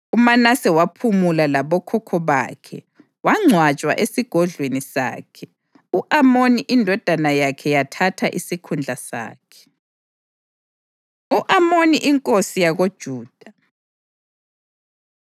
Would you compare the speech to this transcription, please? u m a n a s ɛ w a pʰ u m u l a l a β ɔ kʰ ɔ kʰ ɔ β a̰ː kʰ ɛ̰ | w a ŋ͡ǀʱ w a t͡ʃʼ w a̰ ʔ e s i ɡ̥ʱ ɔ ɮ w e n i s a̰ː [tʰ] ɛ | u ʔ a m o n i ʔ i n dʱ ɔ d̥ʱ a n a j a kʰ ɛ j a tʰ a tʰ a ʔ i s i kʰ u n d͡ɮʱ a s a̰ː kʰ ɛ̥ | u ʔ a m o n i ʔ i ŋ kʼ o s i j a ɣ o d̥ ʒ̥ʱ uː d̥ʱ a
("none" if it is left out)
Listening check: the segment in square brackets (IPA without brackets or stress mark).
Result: kʰ